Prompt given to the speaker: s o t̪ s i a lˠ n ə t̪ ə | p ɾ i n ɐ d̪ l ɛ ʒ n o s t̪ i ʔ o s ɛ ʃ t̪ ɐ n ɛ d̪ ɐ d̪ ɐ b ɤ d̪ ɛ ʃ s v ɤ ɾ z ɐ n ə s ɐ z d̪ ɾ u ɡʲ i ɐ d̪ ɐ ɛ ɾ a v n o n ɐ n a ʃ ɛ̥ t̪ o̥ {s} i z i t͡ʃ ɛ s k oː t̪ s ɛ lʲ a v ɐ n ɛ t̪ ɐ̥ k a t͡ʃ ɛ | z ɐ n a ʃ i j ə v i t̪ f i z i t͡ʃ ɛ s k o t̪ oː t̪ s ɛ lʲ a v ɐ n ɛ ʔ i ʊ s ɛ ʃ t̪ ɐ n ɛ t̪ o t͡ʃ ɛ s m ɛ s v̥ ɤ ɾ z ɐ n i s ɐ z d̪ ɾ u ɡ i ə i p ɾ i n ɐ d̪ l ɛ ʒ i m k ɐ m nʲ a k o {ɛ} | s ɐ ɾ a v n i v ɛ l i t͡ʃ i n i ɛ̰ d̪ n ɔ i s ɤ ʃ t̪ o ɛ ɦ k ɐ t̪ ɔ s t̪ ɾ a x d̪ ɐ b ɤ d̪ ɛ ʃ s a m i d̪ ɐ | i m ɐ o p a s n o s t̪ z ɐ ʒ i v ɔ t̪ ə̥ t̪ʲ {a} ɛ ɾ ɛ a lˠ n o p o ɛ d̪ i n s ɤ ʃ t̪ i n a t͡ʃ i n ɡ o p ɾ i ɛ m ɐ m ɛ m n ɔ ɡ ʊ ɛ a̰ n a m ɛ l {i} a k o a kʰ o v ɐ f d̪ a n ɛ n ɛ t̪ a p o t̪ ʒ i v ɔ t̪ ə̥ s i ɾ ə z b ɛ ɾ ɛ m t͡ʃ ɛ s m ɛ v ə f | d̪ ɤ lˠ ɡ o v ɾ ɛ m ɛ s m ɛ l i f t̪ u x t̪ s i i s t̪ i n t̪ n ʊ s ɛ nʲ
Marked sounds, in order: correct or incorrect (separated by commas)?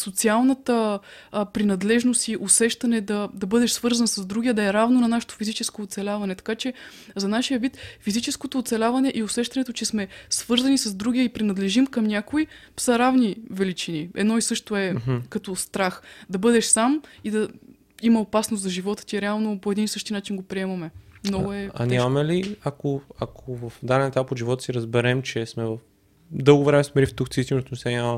incorrect, incorrect, incorrect, correct